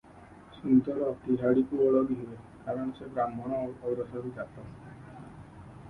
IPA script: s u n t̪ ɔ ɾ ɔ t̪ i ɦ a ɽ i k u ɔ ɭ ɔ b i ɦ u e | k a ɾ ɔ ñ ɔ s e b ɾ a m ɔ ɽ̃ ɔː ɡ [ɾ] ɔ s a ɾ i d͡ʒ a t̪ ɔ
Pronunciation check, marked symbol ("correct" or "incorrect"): correct